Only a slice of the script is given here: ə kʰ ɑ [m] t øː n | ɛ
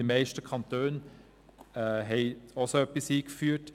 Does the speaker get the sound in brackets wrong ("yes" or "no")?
yes